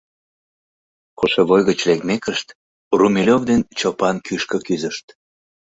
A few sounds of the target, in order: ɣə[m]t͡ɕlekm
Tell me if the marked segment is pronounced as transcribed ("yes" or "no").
no